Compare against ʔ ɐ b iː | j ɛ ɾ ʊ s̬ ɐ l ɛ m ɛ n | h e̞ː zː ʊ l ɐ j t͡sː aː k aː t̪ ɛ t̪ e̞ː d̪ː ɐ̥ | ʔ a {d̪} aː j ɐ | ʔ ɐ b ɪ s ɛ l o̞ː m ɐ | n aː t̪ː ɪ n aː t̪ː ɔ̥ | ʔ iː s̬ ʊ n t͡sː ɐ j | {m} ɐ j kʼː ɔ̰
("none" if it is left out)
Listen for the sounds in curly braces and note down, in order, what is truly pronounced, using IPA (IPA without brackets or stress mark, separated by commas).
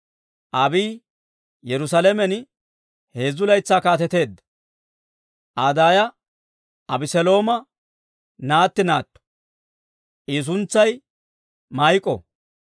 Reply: d̪, m